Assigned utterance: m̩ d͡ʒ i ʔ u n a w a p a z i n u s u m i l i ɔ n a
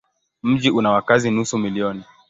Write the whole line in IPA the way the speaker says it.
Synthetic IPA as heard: m̩ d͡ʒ i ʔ u n a w a k a z i n u s u m i l i ɔ n i